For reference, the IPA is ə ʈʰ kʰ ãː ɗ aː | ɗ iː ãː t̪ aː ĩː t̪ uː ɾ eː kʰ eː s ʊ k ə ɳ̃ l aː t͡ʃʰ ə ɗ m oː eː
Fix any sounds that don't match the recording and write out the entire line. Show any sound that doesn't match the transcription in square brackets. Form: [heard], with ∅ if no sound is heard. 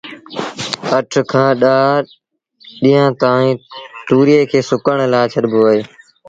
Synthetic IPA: ə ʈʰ kʰ ãː ɗ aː | ɗ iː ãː t̪ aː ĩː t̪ uː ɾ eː kʰ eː s ʊ k ə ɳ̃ l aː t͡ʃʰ ə ɗ [b] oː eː